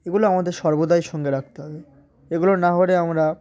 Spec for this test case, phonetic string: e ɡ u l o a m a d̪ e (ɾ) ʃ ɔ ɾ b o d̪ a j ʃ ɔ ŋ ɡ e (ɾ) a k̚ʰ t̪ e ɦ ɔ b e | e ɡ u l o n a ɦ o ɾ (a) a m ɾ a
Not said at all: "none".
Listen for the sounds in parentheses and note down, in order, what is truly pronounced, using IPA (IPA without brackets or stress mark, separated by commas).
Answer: ɾ, ɾ, e